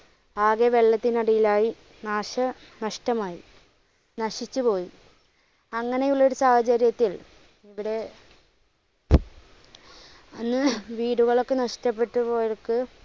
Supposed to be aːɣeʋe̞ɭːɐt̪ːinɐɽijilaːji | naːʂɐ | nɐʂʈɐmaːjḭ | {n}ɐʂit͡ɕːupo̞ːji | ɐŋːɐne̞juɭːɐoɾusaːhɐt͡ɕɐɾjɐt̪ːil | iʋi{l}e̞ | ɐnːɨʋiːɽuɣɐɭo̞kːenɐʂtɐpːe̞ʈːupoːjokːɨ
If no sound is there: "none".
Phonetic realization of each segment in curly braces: n, ɽ

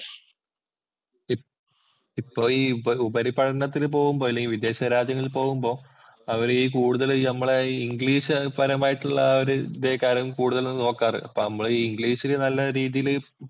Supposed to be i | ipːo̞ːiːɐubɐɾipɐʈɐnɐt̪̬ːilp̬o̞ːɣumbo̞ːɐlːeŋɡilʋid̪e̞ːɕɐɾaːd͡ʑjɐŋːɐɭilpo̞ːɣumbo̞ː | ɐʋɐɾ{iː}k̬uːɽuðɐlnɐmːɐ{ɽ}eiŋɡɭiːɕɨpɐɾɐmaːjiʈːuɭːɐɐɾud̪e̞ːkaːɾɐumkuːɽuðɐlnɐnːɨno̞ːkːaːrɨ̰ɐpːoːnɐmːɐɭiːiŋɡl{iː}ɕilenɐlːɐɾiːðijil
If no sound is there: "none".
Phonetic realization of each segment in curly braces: iː, ɭ, iː

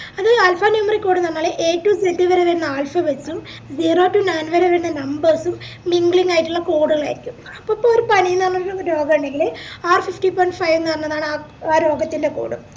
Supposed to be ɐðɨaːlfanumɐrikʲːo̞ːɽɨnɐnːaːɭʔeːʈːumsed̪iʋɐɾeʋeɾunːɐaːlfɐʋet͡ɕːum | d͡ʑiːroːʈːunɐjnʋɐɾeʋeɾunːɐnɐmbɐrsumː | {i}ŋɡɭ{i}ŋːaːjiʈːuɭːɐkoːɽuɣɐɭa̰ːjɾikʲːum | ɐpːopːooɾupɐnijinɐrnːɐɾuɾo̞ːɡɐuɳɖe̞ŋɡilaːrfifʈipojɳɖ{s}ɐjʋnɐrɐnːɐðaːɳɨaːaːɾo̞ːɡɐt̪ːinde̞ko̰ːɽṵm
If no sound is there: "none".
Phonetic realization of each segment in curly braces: i, i, f

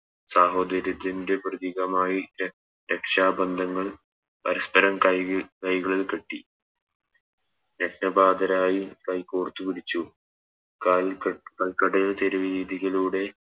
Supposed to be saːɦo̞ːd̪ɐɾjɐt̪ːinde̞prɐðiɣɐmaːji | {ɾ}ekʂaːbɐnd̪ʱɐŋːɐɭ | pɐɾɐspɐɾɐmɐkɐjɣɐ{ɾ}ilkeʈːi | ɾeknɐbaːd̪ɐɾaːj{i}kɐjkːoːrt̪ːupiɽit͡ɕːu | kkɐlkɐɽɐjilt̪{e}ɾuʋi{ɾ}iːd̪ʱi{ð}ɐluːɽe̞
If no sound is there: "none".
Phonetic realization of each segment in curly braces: ɾ, ɭ, i, e, ɾ, ɣ

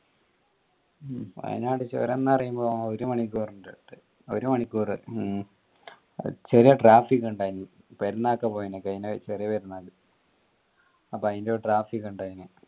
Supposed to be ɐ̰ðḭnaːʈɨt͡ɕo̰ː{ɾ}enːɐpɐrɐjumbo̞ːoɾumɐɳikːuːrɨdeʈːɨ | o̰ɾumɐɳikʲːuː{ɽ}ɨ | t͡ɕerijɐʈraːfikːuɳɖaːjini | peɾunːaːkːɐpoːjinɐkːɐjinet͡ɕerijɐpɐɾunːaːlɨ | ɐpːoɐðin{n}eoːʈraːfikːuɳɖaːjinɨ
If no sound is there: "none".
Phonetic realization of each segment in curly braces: ɾ, r, d

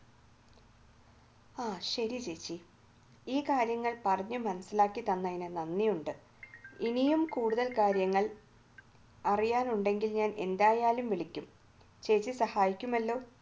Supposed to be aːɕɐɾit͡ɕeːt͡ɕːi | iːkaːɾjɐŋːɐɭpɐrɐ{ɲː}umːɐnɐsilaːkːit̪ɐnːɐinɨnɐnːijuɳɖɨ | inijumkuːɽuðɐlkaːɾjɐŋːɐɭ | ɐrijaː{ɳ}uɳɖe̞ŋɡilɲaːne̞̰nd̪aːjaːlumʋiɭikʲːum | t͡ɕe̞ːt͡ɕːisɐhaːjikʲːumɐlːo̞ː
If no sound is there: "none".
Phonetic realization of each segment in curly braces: ɲː, n

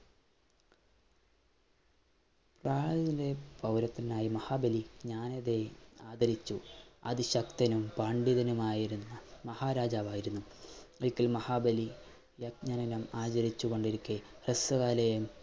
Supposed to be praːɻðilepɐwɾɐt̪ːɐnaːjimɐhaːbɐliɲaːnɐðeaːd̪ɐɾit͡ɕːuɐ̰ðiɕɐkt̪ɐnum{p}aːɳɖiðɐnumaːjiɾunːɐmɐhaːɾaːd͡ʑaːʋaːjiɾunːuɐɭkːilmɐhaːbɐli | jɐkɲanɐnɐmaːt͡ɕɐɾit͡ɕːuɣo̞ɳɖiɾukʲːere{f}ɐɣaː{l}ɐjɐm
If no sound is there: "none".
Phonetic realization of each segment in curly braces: p, s, l

